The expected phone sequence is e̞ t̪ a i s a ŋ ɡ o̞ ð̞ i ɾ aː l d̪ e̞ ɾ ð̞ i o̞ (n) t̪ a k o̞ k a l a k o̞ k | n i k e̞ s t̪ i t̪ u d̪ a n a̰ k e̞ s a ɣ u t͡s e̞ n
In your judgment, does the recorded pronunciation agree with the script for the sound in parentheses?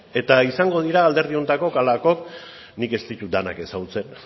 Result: yes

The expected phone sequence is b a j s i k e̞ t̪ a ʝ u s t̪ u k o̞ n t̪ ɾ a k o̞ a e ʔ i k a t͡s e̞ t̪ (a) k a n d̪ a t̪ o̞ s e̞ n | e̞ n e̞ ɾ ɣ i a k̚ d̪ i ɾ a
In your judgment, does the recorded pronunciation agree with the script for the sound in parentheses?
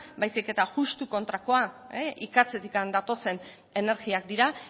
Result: no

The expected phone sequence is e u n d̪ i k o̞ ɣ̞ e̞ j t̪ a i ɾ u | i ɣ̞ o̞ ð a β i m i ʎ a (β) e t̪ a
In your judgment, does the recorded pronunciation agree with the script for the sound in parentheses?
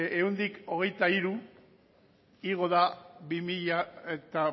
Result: no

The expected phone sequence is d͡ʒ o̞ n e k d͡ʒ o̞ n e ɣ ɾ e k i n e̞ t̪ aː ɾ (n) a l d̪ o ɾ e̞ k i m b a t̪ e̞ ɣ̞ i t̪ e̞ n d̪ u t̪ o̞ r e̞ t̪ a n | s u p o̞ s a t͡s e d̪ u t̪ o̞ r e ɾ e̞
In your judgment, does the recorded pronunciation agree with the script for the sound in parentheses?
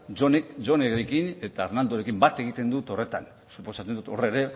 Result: yes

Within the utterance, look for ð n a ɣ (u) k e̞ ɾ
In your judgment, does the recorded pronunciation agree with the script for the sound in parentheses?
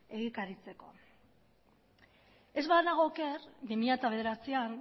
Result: no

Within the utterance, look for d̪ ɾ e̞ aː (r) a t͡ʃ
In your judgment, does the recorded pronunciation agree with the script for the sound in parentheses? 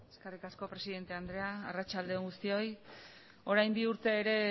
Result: yes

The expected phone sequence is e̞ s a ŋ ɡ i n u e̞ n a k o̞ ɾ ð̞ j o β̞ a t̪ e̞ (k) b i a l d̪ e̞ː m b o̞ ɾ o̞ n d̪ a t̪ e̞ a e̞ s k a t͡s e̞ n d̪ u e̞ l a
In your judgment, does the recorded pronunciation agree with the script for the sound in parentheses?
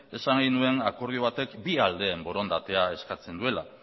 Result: yes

